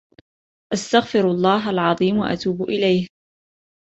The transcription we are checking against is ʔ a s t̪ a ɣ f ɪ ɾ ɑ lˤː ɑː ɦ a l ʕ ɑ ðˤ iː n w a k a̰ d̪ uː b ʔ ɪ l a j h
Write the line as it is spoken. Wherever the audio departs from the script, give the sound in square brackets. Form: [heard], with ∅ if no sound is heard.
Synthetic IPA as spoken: ʔ a s t̪ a ɣ f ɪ ɾ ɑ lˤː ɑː ɦ a l ʕ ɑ ðˤ iː [m] w a [ʔ] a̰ [t̪] uː b ʔ ɪ l a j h